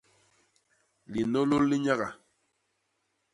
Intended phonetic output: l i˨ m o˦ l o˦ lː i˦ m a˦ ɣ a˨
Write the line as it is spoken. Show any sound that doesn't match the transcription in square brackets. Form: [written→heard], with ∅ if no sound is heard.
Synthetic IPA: l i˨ [m→n] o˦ l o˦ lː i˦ [m→ɲ] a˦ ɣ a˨